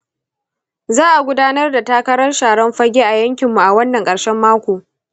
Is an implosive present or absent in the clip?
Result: absent